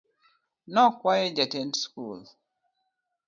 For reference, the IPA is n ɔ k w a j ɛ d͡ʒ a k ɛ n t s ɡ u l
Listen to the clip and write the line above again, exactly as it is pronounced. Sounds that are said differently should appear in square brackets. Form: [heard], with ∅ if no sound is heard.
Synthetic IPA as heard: n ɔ k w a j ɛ d͡ʒ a [t] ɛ n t s [k] u l